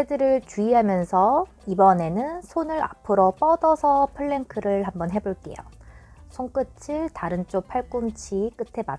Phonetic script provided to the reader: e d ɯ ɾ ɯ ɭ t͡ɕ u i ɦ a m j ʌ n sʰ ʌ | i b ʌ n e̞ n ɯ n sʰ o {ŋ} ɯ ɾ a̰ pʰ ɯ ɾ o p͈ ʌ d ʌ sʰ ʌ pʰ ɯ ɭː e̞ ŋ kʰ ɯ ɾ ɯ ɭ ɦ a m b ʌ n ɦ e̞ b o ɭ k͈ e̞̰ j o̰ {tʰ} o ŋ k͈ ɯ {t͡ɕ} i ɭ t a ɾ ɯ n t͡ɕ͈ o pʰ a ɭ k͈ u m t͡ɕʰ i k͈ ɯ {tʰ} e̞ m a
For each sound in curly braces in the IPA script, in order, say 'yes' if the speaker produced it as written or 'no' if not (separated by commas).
no, no, no, yes